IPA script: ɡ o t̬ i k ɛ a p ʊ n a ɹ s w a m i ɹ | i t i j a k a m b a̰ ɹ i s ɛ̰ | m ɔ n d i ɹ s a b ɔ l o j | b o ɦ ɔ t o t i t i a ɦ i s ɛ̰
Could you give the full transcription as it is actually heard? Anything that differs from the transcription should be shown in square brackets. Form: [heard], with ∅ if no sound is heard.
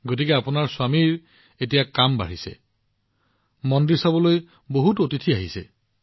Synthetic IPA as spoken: ɡ o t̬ i k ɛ a p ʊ n a ɹ s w a m i ɹ | [e] t i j a k a m b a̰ ɹ i s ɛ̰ | m ɔ n d i ɹ s a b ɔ l o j | b o ɦ [u] t o t i [tʰ] i a ɦ i s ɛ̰